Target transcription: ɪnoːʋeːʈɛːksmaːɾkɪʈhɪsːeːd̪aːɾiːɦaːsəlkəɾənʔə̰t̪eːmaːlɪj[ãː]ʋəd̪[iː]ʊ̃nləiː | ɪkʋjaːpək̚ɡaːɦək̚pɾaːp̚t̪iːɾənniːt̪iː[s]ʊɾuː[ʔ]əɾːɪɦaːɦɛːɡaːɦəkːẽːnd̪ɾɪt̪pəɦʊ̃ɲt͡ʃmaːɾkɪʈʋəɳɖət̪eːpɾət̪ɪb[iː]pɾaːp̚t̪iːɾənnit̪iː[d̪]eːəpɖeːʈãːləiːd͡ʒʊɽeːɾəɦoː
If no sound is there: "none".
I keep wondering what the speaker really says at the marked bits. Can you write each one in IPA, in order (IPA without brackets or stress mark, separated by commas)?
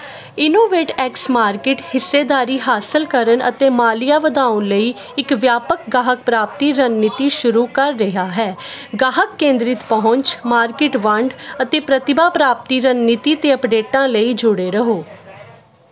aː, aː, ʃ, k, aː, t̪